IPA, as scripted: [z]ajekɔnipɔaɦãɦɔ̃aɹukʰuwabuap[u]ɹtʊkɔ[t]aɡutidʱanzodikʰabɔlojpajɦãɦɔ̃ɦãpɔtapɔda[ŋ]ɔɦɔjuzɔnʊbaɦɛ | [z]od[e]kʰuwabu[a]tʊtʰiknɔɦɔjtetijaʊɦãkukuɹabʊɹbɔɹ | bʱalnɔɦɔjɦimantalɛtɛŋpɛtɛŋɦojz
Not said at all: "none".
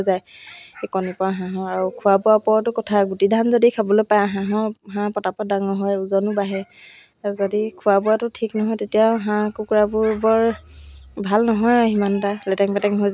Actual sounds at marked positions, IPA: z, ɔ, tʰ, ŋ, z, i, a

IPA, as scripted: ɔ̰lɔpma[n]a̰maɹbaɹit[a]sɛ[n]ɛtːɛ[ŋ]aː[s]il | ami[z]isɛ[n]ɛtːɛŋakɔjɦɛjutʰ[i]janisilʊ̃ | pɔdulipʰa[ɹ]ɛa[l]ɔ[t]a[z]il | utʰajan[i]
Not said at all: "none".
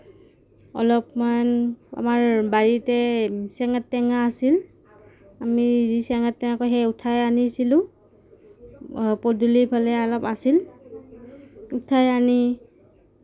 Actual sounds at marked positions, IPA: n, ɛ, ŋ, ŋ, s, z, ŋ, a, l, l, p, s, i

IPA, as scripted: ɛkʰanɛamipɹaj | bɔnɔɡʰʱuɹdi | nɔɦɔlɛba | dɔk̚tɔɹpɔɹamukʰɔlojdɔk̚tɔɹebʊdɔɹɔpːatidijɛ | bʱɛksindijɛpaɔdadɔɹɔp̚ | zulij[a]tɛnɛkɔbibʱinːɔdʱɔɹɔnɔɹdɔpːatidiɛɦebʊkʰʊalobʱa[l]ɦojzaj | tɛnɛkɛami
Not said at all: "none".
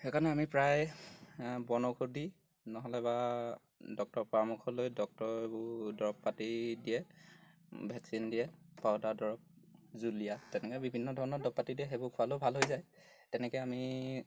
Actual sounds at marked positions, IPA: a, l

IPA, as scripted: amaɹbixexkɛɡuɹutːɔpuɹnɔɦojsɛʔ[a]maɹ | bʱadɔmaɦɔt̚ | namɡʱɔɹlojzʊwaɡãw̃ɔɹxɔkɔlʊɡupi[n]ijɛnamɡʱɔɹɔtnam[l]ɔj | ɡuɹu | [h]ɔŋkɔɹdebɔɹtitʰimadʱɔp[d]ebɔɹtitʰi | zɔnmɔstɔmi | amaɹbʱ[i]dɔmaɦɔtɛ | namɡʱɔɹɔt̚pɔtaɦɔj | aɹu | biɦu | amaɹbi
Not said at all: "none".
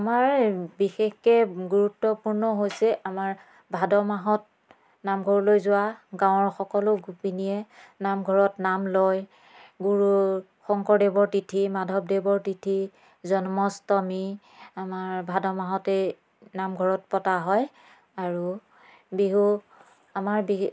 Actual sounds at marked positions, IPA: a, n, l, x, d, a

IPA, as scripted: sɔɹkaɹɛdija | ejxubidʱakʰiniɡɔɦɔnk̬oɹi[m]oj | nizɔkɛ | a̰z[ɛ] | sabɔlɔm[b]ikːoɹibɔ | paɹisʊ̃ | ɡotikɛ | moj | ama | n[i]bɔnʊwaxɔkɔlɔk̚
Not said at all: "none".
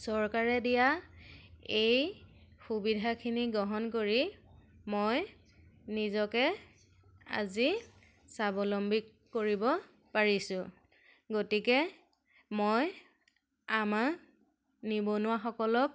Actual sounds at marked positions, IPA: m, i, b, i

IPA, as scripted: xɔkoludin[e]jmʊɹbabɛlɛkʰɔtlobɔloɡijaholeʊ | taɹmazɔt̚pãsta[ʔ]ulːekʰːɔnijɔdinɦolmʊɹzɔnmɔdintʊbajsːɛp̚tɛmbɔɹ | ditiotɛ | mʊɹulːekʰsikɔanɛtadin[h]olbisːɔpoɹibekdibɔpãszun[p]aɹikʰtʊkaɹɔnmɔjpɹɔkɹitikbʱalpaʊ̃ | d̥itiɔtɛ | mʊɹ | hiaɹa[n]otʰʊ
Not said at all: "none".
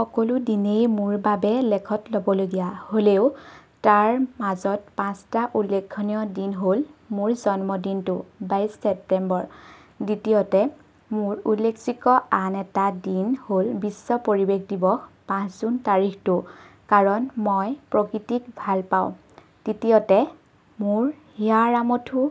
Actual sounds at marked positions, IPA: e, ʔ, h, t, m

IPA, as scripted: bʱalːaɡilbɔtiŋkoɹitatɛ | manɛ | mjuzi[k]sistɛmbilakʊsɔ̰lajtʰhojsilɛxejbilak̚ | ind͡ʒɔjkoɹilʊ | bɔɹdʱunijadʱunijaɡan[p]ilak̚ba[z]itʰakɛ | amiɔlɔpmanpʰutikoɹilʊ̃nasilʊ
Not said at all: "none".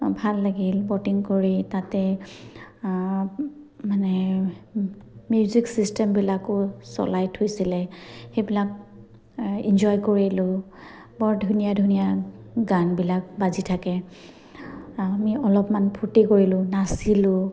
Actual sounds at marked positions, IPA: k, b, z

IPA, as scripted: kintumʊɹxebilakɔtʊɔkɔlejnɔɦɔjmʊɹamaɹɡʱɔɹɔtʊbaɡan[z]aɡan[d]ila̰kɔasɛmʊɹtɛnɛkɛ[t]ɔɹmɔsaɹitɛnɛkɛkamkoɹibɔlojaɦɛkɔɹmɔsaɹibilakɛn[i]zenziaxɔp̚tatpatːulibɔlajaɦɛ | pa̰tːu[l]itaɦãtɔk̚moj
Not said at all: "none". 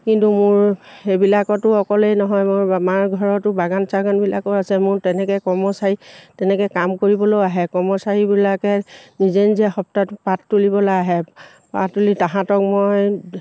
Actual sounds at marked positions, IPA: s, b, k, i, l

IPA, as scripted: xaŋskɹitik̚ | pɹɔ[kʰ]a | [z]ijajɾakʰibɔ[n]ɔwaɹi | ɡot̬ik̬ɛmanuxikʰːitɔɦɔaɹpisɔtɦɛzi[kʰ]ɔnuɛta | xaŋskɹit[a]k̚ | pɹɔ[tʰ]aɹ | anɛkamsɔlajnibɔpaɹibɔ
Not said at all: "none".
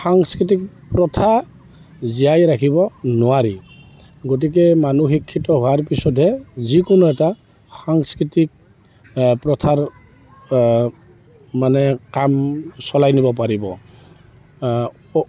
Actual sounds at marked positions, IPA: tʰ, z, n, k, i, tʰ

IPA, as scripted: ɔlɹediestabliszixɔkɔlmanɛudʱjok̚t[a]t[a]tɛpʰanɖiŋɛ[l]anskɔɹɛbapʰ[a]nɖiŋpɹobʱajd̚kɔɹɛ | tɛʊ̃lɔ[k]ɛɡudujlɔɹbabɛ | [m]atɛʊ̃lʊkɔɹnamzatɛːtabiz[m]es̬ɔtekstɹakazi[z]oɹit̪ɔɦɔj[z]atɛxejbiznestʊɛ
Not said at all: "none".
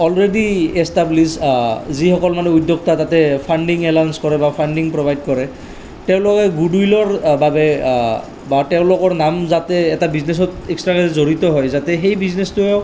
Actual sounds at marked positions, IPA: a, a, l, a, k, b, n, z, z

